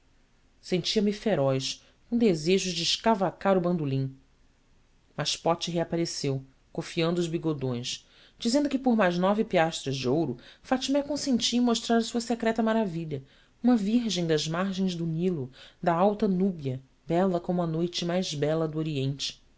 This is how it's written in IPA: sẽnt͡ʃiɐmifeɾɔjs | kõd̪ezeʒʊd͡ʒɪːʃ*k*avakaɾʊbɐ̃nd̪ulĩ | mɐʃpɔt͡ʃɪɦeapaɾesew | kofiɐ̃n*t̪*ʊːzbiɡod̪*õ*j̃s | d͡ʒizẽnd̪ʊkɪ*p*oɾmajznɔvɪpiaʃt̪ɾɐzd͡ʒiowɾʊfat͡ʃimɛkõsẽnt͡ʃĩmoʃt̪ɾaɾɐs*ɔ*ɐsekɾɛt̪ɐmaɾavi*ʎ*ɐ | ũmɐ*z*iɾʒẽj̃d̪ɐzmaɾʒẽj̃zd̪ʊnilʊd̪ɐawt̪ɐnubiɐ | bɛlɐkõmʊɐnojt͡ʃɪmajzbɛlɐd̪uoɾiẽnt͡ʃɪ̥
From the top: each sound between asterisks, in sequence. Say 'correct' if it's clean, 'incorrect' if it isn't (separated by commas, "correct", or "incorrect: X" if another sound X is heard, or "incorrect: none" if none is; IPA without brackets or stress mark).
correct, incorrect: d̪, correct, correct, incorrect: u, correct, incorrect: v